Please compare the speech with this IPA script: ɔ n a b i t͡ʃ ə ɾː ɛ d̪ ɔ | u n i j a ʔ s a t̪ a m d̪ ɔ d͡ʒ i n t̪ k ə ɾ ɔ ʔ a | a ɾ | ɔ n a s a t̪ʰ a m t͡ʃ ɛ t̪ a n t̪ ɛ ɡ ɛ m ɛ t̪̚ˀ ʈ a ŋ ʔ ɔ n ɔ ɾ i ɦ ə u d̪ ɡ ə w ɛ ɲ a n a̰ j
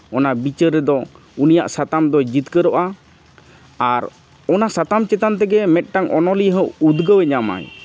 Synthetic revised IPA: ɔ n a b i t͡ʃ ə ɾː ɛ d̪ ɔ | u n i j a ʔ s a t̪ a m d̪ ɔ d͡ʒ i t̪ k ə ɾ ɔ ʔ a | a ɾ | ɔ n a s a t̪ a m t͡ʃ ɛ t̪ a n t̪ ɛ ɡ ɛ m ɛ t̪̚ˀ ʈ a ŋ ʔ ɔ n ɔ l i ɦ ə u d̪ ɡ ə w ɛ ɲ a m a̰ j